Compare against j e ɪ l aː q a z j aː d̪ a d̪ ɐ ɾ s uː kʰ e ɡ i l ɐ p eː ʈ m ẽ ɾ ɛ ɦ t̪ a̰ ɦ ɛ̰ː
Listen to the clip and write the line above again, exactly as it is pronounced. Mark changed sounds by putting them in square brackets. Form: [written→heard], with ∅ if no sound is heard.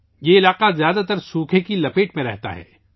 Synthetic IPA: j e ɪ l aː q a z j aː d̪ a [d̪→t̪] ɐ ɾ s uː kʰ e [ɡ→k] i l ɐ p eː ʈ m ẽ ɾ ɛ ɦ t̪ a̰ ɦ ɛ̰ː